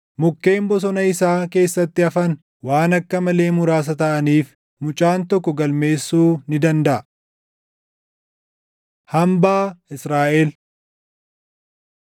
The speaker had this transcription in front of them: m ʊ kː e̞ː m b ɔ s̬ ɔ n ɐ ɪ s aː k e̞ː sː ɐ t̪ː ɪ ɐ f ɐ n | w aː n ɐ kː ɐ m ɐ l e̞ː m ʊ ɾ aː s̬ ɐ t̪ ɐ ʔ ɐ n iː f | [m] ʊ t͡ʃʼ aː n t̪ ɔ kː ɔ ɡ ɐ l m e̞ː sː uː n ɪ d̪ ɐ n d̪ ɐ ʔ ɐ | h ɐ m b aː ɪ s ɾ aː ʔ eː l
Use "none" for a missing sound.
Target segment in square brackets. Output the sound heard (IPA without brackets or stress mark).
m